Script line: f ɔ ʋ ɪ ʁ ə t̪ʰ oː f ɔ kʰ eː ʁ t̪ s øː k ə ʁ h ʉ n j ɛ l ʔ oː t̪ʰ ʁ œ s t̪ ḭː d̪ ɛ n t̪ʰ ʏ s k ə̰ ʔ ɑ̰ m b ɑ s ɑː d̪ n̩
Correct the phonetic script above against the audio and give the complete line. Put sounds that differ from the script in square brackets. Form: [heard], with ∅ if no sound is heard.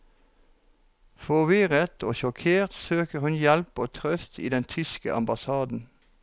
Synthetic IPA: f ɔ ʋ ɪ ʁ ə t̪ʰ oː [ʃ] ɔ kʰ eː ʁ t̪ s øː k ə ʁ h ʉ n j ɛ l [p] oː t̪ʰ ʁ œ s t̪ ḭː d̪ ɛ n t̪ʰ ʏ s k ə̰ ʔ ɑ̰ m b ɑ s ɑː d̪ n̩